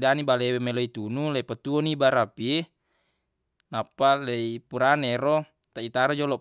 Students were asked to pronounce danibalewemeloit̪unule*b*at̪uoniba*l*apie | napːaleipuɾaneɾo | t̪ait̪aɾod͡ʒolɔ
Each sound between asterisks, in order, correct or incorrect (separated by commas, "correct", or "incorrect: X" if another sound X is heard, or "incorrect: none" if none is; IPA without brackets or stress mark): incorrect: p, incorrect: ɾ